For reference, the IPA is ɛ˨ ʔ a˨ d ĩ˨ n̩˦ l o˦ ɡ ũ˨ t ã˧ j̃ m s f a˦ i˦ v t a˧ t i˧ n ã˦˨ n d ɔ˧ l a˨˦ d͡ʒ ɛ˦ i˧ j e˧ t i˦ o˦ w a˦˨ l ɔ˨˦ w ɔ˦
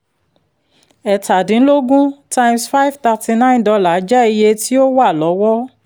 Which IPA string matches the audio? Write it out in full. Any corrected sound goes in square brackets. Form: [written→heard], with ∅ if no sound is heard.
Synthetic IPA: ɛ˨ [ʔ→t] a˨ d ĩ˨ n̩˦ l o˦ ɡ [ũ˨→ũ˦] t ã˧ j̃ m s f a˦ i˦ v t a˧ t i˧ n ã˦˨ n d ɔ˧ l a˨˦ d͡ʒ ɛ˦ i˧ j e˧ t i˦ o˦ w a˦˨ l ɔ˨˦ w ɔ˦